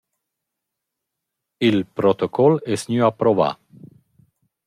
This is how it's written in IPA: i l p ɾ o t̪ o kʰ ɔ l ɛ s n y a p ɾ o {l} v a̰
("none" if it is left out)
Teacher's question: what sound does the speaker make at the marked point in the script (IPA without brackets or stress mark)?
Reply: none